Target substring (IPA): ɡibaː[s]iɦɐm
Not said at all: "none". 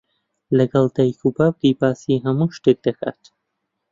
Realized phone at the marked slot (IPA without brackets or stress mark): s